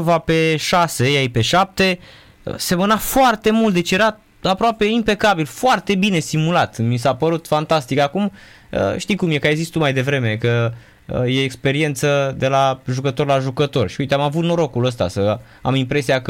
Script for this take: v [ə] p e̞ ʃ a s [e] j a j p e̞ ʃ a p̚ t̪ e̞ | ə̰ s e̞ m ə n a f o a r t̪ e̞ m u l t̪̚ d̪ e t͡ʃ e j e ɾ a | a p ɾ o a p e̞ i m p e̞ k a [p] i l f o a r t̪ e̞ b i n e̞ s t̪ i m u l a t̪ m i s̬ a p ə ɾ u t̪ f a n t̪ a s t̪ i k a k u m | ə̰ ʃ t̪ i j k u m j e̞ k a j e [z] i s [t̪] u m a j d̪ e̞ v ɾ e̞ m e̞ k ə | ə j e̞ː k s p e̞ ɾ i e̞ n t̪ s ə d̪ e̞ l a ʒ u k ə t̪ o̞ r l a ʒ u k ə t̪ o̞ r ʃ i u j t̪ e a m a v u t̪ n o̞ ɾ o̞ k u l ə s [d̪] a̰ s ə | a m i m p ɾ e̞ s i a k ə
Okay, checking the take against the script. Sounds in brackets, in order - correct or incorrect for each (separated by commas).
incorrect, correct, incorrect, correct, correct, incorrect